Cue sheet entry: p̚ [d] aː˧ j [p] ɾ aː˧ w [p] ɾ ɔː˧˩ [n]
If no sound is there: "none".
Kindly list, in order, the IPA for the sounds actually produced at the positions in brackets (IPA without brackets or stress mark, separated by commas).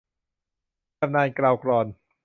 n, k, k, n